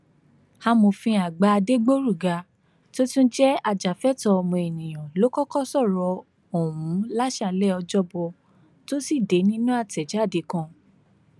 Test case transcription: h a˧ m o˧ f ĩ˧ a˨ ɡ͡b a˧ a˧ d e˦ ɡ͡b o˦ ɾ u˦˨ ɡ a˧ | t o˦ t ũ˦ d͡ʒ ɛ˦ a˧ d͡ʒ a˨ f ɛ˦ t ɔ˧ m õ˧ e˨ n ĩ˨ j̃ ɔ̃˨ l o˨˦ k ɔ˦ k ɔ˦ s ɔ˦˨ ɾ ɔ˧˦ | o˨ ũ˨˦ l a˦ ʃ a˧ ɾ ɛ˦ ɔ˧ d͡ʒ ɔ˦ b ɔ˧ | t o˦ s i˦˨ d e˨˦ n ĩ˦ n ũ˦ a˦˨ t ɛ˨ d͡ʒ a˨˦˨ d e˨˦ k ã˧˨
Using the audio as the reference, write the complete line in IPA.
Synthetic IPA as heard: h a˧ m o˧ f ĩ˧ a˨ ɡ͡b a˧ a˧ d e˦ ɡ͡b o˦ ɾ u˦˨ ɡ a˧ | t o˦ t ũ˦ d͡ʒ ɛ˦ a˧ d͡ʒ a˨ f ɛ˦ t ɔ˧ m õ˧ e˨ n ĩ˨ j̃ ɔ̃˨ l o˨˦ k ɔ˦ k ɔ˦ s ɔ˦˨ ɾ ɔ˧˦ | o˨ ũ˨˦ l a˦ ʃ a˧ l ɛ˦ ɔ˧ d͡ʒ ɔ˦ b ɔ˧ | t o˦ s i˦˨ d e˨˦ n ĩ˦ n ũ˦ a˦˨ t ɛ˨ d͡ʒ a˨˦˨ d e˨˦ k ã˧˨